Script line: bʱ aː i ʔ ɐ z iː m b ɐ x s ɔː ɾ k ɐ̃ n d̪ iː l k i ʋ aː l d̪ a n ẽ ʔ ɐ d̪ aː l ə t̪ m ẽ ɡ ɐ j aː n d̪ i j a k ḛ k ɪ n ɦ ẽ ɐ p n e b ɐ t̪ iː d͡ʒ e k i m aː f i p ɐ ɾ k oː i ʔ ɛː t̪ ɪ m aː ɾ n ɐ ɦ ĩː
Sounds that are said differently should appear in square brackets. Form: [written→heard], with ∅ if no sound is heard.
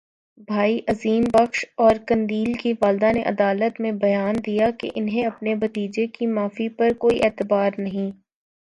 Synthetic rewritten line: bʱ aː i ʔ ɐ z iː m b ɐ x [s→ʃ] ɔː ɾ k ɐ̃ n d̪ iː l k i ʋ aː l d̪ a n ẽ ʔ ɐ d̪ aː l ə t̪ m ẽ [ɡ→b] ɐ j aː n d̪ i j a k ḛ [k→ʔ] ɪ n ɦ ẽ ɐ p n e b ɐ t̪ iː d͡ʒ e k i m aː f i p ɐ ɾ k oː i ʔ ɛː t̪ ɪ [m→b] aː ɾ n ɐ ɦ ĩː